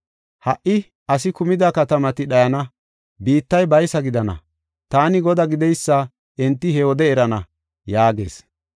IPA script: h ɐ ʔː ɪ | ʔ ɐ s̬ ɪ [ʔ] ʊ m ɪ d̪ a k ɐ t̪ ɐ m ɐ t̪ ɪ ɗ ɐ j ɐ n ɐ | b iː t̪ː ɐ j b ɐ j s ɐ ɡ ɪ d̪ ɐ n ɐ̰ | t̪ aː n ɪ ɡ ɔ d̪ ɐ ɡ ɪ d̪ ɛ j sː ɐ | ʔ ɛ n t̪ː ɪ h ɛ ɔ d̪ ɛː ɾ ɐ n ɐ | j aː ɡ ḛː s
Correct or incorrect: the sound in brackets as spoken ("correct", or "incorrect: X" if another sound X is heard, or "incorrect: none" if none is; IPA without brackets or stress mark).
incorrect: k